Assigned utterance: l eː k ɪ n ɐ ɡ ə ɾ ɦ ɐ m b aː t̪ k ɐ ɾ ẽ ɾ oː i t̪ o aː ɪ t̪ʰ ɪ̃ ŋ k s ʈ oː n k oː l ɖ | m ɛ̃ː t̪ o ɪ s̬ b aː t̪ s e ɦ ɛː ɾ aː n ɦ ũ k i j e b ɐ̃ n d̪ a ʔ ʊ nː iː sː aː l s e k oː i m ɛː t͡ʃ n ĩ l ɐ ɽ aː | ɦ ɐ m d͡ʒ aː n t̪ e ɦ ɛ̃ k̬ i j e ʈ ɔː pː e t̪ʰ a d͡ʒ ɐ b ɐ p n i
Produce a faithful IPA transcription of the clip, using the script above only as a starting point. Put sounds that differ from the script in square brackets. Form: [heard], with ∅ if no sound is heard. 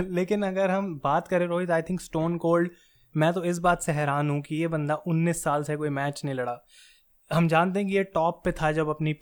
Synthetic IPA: l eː k ɪ n ɐ ɡ ə ɾ ɦ ɐ m b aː t̪ k ɐ ɾ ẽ ɾ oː i t̪ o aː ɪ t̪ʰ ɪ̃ ŋ k s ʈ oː n k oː l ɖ | m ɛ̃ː t̪ o ɪ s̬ b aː t̪ s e ɦ ɛː ɾ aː n ɦ ũ k i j e b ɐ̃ n d̪ a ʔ ʊ nː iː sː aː l s e k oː i m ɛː t͡ʃ n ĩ l ɐ ɽ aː | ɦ ɐ m d͡ʒ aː n t̪ e ɦ ɛ̃ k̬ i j e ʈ ɔː pː e t̪ʰ a d͡ʒ ɐ b ɐ p n i